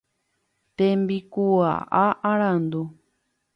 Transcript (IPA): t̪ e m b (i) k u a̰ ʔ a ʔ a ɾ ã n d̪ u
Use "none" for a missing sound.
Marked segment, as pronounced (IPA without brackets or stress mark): i